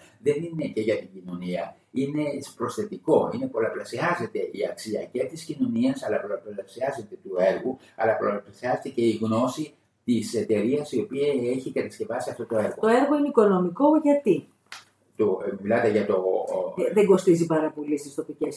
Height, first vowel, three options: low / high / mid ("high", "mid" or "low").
mid